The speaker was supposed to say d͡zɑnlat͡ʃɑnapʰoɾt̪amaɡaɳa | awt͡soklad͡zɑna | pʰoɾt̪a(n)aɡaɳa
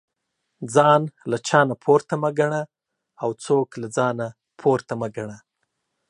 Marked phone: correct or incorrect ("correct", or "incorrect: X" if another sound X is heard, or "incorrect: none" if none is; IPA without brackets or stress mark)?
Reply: incorrect: m